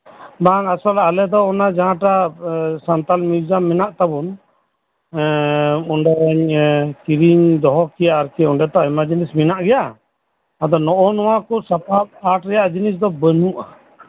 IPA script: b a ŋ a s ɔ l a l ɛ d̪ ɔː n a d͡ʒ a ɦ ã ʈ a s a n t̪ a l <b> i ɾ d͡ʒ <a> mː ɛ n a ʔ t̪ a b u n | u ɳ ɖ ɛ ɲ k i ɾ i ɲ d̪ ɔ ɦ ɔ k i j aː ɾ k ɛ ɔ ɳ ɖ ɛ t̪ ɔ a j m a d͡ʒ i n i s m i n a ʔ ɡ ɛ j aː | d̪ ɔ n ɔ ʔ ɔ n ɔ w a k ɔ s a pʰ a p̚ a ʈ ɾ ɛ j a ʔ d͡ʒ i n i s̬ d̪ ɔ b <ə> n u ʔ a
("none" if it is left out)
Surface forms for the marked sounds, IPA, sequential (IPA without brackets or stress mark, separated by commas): m, a, ə